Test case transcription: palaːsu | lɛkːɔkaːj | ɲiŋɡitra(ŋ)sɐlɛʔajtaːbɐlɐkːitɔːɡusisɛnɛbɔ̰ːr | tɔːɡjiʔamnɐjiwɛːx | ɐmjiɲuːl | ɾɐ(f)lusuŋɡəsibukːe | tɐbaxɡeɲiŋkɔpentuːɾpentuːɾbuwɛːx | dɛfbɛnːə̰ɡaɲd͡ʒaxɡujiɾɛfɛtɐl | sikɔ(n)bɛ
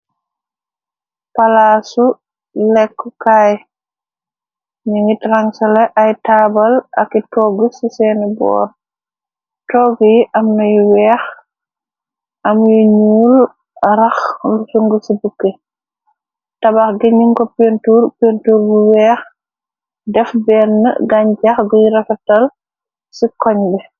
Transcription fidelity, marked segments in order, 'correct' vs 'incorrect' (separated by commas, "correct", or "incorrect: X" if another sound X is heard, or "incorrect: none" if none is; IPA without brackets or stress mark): correct, incorrect: x, incorrect: ɲ